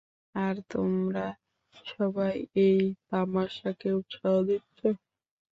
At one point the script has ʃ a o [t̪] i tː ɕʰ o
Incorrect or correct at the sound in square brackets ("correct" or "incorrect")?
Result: incorrect